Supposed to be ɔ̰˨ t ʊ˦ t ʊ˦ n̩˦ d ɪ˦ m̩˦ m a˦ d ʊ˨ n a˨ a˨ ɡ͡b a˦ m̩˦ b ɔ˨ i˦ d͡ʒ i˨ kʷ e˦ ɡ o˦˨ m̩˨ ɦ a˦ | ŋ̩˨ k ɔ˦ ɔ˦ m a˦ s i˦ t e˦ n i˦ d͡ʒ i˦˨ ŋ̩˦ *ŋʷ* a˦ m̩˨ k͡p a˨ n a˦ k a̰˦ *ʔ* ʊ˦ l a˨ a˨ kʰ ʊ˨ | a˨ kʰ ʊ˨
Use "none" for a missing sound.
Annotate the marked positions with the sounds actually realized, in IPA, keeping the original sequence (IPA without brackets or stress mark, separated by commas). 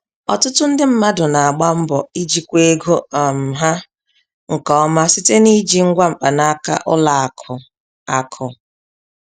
ɡʷ, ʔ